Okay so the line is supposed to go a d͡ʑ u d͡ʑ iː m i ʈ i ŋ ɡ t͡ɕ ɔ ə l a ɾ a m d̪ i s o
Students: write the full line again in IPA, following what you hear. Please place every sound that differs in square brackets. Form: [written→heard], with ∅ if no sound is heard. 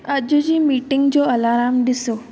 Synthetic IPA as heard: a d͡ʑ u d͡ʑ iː m i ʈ i ŋ ɡ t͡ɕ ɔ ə l a ɾ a m d̪ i s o

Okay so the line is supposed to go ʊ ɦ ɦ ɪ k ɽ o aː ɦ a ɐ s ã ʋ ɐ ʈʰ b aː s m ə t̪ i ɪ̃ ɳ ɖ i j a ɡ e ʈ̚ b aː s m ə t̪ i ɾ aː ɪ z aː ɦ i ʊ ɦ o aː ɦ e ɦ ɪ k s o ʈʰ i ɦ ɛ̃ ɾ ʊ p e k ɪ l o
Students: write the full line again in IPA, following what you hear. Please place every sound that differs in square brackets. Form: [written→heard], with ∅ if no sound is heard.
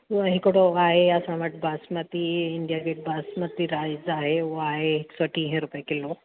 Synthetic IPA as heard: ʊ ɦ ɦ ɪ k ɽ o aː ɦ [a→e] ɐ s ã ʋ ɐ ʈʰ b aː s m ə t̪ i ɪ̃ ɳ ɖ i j a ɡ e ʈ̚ b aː s m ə t̪ i ɾ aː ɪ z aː ɦ [i→e] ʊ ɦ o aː ɦ e ɦ ɪ k s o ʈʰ i ɦ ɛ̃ ɾ ʊ p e k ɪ l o

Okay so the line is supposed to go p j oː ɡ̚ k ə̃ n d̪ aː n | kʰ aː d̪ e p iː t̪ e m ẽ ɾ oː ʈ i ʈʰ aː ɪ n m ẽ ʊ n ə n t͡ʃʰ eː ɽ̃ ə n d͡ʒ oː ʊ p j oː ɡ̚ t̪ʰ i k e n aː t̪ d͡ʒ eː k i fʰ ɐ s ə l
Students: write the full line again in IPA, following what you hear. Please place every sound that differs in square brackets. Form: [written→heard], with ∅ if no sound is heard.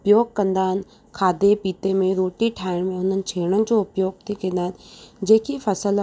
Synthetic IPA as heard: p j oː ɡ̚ k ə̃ n d̪ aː n | kʰ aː d̪ e p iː t̪ e m ẽ ɾ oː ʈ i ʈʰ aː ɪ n m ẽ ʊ n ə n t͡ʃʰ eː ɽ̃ ə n d͡ʒ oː ʊ p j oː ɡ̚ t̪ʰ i k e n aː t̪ d͡ʒ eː k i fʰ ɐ s ə l

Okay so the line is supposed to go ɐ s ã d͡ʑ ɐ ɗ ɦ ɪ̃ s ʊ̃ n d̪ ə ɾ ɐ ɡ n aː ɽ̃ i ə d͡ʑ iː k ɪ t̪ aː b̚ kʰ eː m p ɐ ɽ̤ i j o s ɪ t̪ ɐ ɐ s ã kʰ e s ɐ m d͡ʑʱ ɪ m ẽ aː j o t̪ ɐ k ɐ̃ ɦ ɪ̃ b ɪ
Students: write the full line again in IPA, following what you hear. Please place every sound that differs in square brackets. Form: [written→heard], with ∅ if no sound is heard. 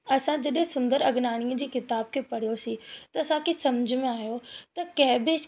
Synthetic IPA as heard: ɐ s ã d͡ʑ ɐ ɗ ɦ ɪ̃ s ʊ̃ n d̪ ə ɾ ɐ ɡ n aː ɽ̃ i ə d͡ʑ iː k ɪ t̪ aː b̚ kʰ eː [m→∅] p ɐ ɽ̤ i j o s [ɪ→i] t̪ ɐ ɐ s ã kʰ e s ɐ m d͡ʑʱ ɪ m ẽ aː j o t̪ ɐ k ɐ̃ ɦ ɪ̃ b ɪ

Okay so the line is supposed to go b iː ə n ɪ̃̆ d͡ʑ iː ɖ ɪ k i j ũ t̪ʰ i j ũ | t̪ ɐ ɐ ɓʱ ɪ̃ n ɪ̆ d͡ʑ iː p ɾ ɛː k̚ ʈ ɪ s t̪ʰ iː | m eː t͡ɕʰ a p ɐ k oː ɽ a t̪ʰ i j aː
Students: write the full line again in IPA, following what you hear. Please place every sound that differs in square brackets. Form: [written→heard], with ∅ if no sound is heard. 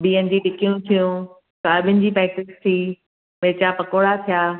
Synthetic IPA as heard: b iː ə n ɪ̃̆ d͡ʑ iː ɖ ɪ k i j ũ t̪ʰ i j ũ | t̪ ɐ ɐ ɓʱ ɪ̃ n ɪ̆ d͡ʑ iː p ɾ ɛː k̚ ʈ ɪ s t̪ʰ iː | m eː [t͡ɕʰ→t͡ɕ] a p ɐ k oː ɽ a t̪ʰ i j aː

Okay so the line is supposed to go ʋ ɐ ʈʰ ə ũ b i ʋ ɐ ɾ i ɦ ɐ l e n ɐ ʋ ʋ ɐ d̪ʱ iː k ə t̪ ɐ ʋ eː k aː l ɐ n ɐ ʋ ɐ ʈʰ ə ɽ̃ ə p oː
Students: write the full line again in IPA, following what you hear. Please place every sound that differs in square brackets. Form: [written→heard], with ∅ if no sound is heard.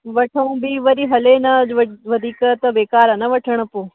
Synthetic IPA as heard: ʋ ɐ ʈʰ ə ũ b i ʋ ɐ ɾ i ɦ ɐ l e n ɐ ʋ ʋ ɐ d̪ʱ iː k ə t̪ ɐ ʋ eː k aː [l→ɾ] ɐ n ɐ ʋ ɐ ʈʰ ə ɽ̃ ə p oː

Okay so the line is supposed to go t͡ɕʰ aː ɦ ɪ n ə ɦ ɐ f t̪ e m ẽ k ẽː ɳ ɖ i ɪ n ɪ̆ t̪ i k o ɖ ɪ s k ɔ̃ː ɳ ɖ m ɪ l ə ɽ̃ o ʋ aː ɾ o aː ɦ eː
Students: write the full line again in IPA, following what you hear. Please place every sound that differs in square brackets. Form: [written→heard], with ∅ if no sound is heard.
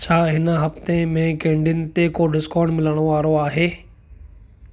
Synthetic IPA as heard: t͡ɕʰ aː ɦ ɪ n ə ɦ ɐ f t̪ e m ẽ k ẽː ɳ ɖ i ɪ n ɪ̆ t̪ [i→e] k o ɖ ɪ s k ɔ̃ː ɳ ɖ m ɪ l ə ɽ̃ o ʋ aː ɾ o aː ɦ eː

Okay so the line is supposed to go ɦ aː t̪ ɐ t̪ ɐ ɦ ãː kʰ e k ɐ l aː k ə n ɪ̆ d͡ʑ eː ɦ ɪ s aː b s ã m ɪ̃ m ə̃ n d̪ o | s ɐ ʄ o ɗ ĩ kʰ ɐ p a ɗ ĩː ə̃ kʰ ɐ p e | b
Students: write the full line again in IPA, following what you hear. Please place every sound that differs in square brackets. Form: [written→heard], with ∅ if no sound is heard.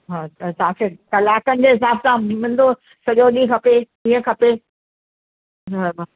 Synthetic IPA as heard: ɦ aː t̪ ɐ t̪ ɐ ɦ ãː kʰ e k ɐ l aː k ə n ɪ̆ d͡ʑ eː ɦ ɪ s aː b s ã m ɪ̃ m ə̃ n d̪ o | s ɐ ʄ o ɗ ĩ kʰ ɐ p [a→e] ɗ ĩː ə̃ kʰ ɐ p e | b

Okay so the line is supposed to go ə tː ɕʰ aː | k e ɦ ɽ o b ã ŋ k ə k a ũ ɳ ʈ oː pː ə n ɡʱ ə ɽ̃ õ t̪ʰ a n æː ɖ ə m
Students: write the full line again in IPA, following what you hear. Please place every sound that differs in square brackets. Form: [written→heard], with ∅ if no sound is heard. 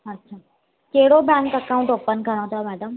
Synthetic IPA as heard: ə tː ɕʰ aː | k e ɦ ɽ o b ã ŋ k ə k a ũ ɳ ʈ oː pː ə n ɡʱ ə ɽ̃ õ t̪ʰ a [n→m] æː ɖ ə m

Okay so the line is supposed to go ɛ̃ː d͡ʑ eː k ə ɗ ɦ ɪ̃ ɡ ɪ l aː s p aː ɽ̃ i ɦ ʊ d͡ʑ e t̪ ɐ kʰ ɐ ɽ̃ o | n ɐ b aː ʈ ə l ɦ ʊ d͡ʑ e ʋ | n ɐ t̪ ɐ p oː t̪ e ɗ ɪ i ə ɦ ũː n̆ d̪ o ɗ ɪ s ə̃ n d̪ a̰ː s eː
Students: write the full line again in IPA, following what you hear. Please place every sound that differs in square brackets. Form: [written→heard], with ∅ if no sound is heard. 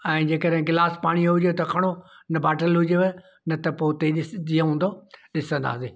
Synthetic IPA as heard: ɛ̃ː d͡ʑ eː k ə ɗ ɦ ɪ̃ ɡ ɪ l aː s p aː ɽ̃ i ɦ ʊ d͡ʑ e t̪ ɐ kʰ ɐ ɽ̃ o | n ɐ b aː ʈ ə l ɦ ʊ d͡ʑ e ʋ | n ɐ t̪ ɐ p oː t̪ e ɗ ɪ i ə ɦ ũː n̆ d̪ o ɗ ɪ s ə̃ n d̪ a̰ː s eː

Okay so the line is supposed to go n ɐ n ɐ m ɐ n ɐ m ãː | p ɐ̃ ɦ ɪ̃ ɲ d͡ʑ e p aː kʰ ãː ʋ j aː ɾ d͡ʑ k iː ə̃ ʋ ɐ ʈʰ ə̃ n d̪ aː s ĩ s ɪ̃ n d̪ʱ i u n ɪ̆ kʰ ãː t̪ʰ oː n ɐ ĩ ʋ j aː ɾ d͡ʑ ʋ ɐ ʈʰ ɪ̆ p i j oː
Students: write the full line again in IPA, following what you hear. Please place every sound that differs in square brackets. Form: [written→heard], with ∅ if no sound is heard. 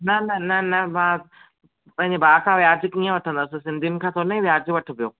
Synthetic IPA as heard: n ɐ n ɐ [m→n] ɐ n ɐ m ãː | p ɐ̃ ɦ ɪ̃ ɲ d͡ʑ e [p→b] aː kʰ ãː ʋ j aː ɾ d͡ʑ k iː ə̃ ʋ ɐ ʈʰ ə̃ n d̪ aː s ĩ s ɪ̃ n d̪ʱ i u n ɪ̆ kʰ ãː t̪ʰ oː n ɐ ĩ ʋ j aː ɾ d͡ʑ ʋ ɐ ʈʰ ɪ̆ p i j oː

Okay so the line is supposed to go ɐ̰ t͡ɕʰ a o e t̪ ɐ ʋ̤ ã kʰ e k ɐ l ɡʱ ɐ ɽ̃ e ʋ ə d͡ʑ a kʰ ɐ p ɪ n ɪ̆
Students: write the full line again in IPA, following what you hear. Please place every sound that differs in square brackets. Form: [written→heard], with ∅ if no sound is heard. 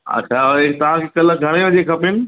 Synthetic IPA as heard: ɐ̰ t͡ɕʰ a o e t̪ ɐ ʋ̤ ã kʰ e k ɐ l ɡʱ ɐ ɽ̃ e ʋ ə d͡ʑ [a→e] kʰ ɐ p ɪ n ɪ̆

